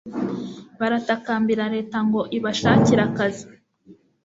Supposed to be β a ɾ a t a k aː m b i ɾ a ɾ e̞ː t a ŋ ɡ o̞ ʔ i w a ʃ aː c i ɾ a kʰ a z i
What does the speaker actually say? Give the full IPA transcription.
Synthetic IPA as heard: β a ɾ a t a k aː m b i ɾ a ɾ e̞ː t a ŋ ɡ o̞ ʔ i β a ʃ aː c i ɾ a k a z i